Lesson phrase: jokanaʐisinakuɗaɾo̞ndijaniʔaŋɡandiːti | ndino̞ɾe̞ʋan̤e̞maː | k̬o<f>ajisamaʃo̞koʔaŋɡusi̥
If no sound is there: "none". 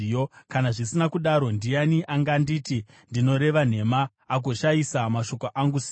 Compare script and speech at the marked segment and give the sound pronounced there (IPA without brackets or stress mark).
ʃ